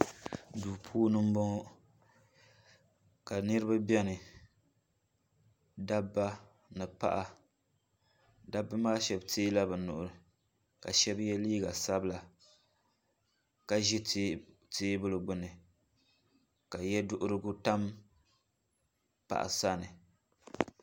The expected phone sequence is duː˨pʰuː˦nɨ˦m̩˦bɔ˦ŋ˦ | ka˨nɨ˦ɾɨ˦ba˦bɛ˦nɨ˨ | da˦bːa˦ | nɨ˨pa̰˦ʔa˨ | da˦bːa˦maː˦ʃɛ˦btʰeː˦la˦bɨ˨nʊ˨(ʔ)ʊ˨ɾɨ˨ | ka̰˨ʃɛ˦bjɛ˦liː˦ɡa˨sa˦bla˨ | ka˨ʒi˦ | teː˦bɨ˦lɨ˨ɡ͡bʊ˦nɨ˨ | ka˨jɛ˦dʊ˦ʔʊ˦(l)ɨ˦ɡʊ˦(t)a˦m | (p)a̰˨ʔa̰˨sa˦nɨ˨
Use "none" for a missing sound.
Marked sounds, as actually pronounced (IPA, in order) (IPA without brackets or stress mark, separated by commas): ʔ, ɾ, t, p